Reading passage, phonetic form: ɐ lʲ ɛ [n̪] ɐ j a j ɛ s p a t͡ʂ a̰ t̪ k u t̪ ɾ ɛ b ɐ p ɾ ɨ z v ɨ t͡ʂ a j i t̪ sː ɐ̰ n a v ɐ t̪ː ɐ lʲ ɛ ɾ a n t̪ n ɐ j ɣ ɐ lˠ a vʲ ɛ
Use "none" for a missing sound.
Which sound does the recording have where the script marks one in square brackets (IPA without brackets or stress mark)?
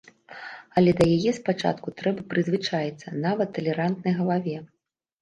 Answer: d̪